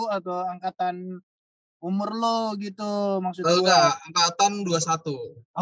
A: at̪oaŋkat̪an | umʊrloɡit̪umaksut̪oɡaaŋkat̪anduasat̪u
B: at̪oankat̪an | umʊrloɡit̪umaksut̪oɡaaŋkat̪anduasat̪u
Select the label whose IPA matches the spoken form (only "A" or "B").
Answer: A